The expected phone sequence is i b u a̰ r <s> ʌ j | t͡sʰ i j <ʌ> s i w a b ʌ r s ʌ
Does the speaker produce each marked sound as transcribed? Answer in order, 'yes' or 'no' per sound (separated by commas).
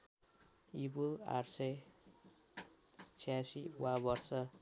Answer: yes, no